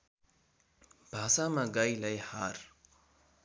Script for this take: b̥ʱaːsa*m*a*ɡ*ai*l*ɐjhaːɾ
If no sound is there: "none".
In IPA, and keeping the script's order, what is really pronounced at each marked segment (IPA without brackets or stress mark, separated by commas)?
m, ɡ, l